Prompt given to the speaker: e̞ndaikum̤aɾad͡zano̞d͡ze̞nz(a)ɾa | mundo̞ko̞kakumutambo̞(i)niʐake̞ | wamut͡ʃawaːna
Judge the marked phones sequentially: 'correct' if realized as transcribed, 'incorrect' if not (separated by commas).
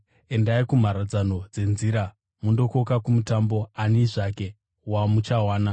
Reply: incorrect, incorrect